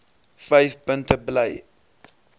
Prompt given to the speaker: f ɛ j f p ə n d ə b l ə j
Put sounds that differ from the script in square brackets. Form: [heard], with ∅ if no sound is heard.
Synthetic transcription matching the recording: f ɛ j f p ə n [t] ə b l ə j